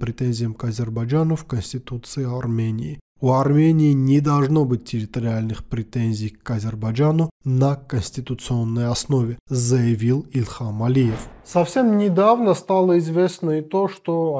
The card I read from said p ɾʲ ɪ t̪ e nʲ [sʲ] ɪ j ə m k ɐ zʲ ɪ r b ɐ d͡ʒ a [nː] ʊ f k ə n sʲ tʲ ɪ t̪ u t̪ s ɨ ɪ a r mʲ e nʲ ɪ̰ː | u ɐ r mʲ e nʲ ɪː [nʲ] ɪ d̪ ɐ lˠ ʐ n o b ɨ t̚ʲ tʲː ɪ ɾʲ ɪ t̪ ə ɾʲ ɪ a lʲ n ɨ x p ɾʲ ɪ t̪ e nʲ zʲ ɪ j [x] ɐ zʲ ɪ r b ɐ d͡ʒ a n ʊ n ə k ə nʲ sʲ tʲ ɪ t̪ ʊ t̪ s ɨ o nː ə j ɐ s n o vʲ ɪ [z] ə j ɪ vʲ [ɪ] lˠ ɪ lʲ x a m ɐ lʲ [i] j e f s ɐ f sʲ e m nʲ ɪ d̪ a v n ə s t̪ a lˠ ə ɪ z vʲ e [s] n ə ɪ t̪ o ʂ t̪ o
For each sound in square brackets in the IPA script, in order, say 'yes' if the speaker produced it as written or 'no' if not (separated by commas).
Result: no, no, yes, no, yes, no, yes, yes